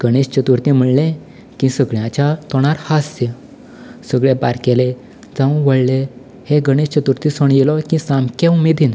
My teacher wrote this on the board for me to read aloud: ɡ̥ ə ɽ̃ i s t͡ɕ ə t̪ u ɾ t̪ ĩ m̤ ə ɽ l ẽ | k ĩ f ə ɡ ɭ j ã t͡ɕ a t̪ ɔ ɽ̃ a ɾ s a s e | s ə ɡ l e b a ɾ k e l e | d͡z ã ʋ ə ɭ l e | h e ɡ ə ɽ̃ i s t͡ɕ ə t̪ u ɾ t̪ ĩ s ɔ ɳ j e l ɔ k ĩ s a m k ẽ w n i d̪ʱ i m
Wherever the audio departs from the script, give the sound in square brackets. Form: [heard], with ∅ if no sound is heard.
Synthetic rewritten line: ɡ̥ ə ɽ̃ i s t͡ɕ ə t̪ u ɾ t̪ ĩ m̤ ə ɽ l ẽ | k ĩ [s] ə ɡ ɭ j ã t͡ɕ a t̪ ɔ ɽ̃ a ɾ [h] a s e | s ə ɡ [ɭ] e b a ɾ k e l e | d͡z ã ʋ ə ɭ l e | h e ɡ ə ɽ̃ i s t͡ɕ ə t̪ u ɾ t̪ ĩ s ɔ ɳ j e l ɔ k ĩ s a m k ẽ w [m] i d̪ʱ i [n]